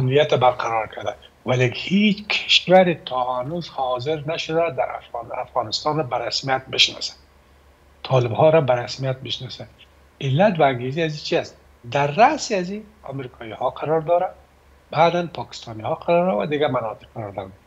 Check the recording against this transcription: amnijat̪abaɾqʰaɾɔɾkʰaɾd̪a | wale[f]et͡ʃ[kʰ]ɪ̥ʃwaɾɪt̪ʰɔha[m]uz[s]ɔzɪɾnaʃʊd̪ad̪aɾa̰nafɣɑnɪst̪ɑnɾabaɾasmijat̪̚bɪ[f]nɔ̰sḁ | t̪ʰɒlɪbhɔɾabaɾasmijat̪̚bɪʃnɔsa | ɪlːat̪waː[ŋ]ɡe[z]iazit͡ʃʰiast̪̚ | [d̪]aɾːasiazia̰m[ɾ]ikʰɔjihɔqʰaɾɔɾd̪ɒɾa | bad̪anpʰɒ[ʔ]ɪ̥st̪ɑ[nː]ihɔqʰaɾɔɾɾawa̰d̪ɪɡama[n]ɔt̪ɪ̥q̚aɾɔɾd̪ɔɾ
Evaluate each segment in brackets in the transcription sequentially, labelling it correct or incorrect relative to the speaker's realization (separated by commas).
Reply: incorrect, correct, incorrect, incorrect, incorrect, correct, correct, correct, correct, incorrect, incorrect, correct